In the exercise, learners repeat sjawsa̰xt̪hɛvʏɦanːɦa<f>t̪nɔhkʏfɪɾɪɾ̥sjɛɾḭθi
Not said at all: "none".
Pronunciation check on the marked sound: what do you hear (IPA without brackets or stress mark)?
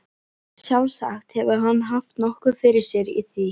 f